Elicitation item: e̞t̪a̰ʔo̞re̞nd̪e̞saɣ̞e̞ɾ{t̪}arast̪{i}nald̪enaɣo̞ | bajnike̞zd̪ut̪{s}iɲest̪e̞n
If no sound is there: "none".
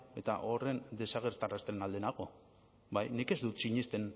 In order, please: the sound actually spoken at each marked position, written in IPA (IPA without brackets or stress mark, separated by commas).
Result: t̪, e, s